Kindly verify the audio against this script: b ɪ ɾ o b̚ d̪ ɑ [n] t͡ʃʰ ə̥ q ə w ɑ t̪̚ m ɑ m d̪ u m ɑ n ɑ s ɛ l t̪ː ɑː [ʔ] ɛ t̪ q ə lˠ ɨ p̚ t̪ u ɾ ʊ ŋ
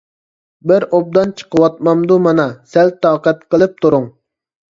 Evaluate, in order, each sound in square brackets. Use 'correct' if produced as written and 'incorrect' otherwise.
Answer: correct, incorrect

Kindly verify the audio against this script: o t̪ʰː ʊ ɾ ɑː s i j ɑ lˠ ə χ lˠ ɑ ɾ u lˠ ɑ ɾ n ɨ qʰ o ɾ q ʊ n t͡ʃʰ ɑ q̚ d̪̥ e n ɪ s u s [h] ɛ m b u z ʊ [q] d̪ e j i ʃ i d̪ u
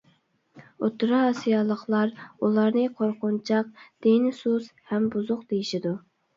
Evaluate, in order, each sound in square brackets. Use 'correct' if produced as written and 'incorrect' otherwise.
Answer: correct, correct

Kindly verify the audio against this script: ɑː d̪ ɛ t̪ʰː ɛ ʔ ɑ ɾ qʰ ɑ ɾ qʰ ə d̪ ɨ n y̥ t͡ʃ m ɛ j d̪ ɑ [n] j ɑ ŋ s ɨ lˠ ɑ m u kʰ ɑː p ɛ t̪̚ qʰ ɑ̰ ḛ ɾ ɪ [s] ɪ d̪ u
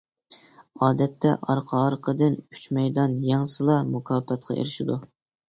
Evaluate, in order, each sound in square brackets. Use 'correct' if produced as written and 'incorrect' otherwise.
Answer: correct, incorrect

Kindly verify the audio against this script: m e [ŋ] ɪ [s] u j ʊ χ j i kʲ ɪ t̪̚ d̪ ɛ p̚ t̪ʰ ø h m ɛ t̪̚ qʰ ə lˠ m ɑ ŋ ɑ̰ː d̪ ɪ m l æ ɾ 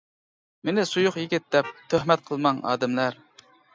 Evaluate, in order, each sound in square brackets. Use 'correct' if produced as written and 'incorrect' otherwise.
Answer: incorrect, correct

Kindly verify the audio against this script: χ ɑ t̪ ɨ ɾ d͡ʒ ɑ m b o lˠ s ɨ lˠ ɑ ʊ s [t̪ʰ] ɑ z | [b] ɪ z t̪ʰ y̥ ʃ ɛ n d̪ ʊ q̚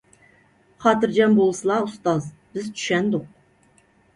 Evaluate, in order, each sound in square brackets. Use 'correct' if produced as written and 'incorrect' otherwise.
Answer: incorrect, correct

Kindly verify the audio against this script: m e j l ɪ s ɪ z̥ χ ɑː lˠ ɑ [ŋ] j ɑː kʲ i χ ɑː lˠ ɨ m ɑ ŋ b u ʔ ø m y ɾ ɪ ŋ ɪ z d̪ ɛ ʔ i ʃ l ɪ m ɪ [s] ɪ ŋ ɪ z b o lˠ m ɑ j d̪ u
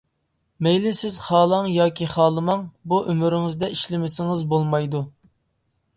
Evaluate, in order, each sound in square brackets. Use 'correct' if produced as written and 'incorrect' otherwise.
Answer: correct, correct

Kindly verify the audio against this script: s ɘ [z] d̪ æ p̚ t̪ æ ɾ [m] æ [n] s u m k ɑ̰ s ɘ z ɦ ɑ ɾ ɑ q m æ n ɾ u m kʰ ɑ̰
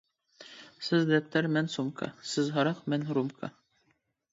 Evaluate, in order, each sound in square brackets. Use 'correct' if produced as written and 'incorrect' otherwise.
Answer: correct, correct, correct

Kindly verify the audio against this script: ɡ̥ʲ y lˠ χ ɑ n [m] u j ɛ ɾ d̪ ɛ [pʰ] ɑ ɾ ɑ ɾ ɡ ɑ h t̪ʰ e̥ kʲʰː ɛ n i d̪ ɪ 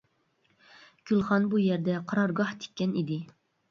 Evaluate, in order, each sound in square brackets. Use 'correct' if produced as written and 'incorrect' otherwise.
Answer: incorrect, incorrect

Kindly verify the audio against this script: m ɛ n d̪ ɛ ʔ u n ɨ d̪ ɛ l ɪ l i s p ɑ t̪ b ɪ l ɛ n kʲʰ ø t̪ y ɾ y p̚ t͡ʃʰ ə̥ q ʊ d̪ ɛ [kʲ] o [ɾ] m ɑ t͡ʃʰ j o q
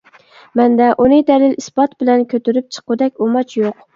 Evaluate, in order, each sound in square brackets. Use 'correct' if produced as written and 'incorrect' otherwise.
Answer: correct, incorrect

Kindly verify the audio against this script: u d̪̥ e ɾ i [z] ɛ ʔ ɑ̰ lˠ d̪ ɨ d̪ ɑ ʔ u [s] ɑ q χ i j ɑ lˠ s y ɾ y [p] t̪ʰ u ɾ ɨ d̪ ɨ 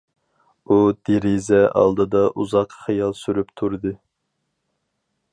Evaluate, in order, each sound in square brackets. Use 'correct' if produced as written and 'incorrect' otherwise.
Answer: correct, incorrect, correct

